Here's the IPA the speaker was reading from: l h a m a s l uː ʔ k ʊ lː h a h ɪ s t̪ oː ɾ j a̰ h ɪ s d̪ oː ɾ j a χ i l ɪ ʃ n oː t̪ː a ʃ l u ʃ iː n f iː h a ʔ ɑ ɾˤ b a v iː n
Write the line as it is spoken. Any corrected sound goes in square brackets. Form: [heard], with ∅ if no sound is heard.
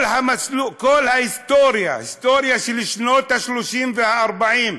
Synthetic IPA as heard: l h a m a s l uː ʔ k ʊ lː h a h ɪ s t̪ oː ɾ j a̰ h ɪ s [t̪] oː ɾ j a [ʃ] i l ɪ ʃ n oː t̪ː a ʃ l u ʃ iː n f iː h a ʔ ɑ ɾˤ b a [ʕ] iː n